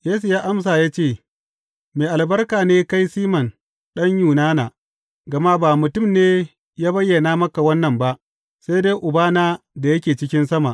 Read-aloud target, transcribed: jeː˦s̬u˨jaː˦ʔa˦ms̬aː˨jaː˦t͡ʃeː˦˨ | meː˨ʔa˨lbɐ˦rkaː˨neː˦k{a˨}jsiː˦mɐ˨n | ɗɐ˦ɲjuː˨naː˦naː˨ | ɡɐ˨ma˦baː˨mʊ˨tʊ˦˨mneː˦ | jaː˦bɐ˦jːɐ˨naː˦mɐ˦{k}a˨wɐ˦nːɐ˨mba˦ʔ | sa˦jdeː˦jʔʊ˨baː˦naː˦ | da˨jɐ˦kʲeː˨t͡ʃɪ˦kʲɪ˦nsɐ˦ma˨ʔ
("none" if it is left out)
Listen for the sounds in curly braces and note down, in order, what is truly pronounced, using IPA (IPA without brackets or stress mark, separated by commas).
a˦, k